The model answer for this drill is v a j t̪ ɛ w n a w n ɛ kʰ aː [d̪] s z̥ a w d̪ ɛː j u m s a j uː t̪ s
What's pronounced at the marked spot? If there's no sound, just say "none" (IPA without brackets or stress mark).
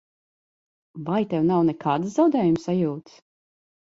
d̪